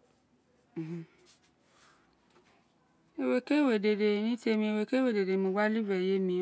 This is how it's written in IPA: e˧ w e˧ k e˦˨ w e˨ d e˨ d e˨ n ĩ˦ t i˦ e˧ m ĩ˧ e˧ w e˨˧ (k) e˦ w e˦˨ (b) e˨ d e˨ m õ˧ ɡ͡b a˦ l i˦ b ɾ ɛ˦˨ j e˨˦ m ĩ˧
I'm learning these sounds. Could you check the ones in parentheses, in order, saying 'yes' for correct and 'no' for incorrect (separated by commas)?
yes, no